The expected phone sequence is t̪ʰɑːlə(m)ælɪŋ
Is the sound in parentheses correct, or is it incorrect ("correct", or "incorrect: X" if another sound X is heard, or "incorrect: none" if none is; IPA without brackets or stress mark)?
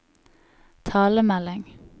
correct